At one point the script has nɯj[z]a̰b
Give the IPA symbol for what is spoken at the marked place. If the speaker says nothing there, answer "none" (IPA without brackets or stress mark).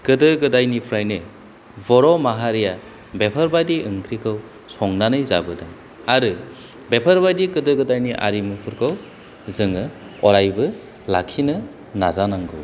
z